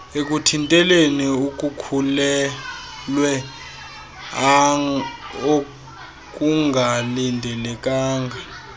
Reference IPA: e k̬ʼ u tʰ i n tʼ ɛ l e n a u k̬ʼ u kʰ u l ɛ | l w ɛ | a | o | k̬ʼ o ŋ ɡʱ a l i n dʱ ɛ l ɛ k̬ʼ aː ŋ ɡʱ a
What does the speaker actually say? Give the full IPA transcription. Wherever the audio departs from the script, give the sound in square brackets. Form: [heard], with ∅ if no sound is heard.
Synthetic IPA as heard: e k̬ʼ u tʰ i n tʼ ɛ l e n [i] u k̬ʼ u kʰ u l ɛ | l w ɛ | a | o | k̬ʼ [u] ŋ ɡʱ a l i n dʱ ɛ l ɛ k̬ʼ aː ŋ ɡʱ a